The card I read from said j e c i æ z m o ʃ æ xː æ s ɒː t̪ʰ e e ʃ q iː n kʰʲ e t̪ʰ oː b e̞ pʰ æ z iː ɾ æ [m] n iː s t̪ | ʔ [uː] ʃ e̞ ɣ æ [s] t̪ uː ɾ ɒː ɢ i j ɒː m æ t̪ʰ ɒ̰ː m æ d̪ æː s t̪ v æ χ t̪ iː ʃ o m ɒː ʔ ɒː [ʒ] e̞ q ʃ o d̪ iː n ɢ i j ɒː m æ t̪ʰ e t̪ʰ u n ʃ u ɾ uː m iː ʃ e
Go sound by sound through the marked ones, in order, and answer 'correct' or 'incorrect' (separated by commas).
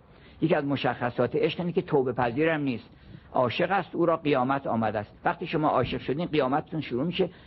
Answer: correct, incorrect, correct, incorrect